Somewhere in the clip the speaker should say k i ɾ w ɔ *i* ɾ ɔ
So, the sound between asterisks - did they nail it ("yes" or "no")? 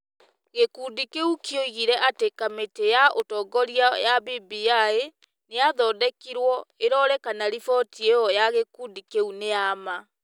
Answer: no